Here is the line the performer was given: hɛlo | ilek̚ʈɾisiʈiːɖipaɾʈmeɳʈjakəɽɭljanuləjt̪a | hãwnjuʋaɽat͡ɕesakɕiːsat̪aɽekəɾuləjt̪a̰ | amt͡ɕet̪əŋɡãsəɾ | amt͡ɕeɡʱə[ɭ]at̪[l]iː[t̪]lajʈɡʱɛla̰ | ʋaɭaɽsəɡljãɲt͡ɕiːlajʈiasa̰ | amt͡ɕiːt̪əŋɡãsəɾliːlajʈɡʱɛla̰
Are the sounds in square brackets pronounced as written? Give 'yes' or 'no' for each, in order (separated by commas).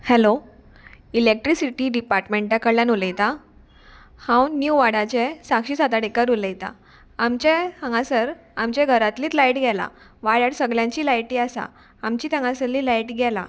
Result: no, yes, yes